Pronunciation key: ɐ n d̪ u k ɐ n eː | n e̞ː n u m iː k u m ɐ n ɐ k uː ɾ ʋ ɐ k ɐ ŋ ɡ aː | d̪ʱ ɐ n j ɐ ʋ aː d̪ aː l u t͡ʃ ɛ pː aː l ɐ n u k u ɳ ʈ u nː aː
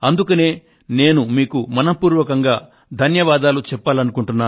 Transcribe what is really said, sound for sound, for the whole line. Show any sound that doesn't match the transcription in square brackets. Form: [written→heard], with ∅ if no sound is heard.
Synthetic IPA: ɐ n d̪ u k ɐ n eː | n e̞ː n u m iː k u m ɐ n ɐ [k→p] uː ɾ ʋ ɐ k ɐ ŋ ɡ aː | d̪ʱ ɐ n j ɐ ʋ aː d̪ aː l u t͡ʃ ɛ pː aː l ɐ n u k u ɳ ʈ u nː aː